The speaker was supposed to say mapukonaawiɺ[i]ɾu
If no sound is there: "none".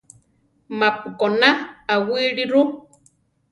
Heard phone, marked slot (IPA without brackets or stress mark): i